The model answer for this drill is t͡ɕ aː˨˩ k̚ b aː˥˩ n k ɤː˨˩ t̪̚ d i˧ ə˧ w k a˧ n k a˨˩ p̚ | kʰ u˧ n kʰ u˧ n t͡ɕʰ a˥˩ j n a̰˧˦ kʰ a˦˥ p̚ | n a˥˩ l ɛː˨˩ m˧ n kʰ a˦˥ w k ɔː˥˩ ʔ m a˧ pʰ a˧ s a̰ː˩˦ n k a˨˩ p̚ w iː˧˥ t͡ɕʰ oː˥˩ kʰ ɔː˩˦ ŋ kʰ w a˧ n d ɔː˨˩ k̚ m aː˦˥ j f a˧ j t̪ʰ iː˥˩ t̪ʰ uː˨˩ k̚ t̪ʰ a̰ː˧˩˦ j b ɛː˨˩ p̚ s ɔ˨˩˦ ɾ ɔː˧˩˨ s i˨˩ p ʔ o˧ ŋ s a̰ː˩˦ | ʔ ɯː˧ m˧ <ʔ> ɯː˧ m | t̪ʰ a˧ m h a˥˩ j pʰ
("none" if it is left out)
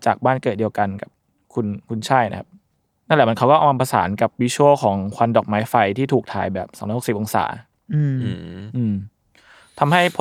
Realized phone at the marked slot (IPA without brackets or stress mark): ʔ